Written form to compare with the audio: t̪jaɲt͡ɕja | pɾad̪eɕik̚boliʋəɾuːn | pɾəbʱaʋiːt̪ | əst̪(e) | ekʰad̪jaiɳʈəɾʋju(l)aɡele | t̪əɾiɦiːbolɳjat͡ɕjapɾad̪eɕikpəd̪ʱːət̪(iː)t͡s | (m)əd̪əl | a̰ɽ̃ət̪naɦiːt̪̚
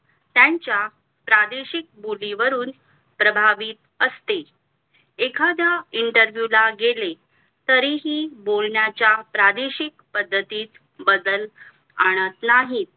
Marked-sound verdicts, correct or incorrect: correct, correct, correct, incorrect

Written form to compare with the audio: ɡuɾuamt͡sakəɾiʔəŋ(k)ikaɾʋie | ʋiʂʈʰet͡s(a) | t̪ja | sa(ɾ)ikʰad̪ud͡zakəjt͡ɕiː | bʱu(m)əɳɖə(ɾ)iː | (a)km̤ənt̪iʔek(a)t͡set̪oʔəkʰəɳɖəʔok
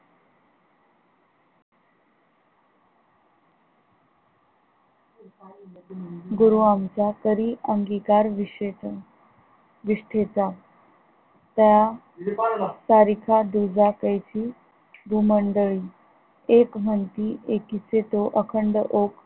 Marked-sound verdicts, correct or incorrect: incorrect, correct, correct, correct, incorrect, incorrect, incorrect

